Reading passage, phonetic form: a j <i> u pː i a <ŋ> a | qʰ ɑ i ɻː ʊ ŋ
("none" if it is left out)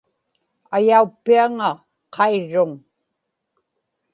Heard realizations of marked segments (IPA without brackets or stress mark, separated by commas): a, ŋ